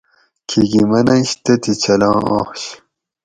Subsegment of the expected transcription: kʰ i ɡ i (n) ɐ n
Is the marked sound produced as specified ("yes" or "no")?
no